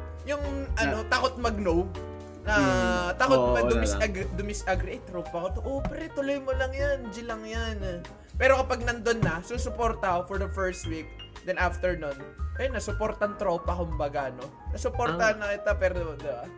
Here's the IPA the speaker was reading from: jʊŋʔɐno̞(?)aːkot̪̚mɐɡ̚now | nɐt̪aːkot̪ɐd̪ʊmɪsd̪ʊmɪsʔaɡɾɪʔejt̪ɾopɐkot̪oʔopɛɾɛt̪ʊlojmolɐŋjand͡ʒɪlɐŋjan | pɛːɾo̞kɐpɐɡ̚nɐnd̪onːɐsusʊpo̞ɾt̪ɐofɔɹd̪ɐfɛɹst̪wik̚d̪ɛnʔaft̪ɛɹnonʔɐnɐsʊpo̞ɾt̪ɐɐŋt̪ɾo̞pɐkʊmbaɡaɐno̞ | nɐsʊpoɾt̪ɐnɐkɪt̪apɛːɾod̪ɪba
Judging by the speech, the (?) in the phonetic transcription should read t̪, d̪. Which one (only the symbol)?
t̪